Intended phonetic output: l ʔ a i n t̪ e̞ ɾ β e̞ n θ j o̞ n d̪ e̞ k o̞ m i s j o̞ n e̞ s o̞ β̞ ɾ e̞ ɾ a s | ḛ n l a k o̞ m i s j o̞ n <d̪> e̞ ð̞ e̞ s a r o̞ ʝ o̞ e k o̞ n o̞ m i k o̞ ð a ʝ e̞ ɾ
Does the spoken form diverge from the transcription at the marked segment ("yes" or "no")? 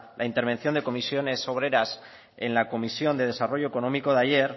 no